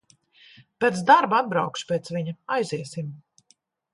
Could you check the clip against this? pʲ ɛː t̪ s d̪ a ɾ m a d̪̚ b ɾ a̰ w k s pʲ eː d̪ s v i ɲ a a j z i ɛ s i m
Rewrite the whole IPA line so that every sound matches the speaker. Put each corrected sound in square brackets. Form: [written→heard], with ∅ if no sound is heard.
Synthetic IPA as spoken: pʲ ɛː t̪ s d̪ a ɾ [m→b] a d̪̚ b ɾ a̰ w k [s→ʃ] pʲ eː [d̪→t̪] s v i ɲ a a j z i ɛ s i m